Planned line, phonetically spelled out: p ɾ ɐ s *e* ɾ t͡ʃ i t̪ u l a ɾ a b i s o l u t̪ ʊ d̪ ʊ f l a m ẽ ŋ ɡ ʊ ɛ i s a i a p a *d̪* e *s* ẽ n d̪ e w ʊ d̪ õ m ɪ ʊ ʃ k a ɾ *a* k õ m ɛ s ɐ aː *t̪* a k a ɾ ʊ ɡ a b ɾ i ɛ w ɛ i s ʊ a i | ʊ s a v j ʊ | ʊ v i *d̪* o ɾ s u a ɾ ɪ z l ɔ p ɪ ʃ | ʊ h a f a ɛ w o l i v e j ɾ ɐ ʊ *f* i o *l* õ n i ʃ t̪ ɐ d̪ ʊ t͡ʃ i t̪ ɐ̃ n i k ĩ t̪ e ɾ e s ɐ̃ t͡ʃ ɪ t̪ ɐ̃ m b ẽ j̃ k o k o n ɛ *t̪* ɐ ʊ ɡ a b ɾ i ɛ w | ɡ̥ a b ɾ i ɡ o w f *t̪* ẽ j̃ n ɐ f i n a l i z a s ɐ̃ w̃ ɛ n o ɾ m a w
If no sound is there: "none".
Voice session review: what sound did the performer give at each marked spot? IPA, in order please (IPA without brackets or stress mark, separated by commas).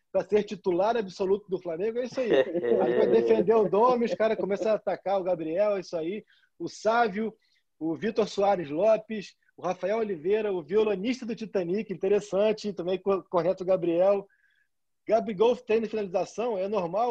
e, d̪, f, ɐ, t̪, t̪, v, l, t̪, t̪